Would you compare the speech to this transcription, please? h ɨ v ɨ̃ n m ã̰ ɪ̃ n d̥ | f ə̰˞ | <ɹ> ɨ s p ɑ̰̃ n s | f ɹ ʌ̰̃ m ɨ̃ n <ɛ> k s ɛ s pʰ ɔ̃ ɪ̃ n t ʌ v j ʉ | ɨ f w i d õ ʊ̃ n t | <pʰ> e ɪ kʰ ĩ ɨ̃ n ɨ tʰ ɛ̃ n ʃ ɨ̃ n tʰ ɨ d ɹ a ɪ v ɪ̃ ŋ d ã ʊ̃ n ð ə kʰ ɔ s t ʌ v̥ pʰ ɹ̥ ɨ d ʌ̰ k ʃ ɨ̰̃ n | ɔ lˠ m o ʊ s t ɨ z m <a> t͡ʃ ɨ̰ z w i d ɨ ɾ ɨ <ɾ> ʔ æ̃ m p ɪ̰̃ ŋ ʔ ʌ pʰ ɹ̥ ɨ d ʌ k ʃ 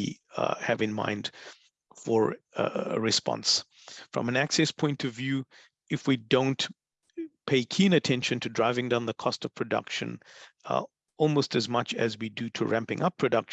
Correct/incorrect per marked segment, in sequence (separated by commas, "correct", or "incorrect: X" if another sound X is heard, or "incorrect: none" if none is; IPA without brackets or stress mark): correct, incorrect: æ, correct, incorrect: ʌ, incorrect: ɹ